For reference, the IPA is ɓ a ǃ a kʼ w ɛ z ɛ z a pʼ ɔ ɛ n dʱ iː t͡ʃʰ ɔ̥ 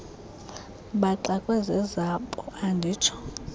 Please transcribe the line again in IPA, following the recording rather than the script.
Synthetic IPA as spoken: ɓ a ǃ a kʼ w ɛ z ɛ z a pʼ ɔ a n dʱ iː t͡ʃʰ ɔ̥